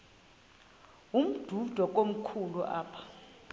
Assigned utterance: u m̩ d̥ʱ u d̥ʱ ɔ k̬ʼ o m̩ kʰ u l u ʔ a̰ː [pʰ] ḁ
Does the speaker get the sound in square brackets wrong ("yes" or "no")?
no